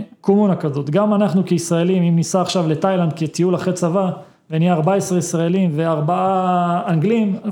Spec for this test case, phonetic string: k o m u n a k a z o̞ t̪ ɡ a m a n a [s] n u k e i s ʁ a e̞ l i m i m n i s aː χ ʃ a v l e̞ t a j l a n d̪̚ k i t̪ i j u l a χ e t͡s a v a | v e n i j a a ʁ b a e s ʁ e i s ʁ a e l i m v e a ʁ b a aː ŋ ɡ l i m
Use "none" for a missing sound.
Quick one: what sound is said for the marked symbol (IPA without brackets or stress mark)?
χ